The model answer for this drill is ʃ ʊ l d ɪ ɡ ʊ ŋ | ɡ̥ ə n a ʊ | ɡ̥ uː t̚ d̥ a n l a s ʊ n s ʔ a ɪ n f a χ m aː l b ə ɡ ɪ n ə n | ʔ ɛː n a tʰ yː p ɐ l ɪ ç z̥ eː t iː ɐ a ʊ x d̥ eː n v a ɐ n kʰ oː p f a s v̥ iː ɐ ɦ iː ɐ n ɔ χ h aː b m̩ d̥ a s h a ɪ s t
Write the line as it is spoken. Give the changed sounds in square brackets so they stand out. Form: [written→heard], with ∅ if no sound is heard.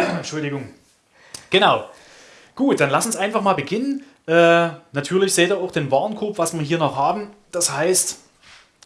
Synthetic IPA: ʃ ʊ l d ɪ ɡ ʊ ŋ | ɡ̥ ə n a ʊ | ɡ̥ uː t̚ d̥ a n l a s ʊ n s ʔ a ɪ n f a χ m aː l b ə ɡ ɪ n ə n | ʔ ɛː n a tʰ yː [p→∅] ɐ l ɪ ç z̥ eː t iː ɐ a ʊ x d̥ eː n v a ɐ n kʰ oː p [f→v] a s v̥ iː ɐ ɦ iː ɐ n ɔ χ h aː b m̩ d̥ a s h a ɪ s t